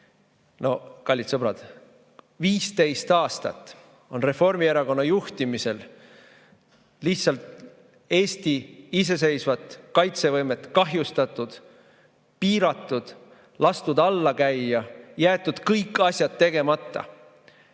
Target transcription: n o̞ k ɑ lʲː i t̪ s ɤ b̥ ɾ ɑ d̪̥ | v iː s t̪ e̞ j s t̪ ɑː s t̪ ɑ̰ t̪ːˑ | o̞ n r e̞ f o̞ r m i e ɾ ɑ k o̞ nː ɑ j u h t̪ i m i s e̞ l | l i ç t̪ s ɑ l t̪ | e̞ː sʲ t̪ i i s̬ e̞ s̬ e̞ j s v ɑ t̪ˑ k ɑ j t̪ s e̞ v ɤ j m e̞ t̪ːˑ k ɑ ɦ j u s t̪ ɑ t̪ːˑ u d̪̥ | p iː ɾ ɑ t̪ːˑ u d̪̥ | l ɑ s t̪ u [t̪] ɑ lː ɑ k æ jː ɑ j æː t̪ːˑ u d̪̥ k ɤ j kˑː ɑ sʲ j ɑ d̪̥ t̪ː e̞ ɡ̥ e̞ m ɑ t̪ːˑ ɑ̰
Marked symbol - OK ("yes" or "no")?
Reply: no